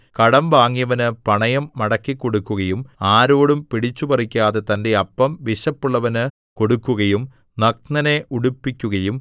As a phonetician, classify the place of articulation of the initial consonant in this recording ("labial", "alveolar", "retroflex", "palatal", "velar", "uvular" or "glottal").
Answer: velar